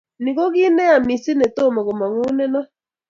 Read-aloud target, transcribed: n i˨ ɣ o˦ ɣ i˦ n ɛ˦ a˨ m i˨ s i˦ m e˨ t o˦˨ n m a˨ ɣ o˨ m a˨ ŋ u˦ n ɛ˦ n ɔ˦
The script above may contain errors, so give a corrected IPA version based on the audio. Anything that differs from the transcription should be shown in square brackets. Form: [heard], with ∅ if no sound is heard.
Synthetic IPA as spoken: n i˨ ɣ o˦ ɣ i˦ n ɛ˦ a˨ m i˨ s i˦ [n] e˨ t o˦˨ [∅] m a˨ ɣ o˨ m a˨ ŋ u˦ n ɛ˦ n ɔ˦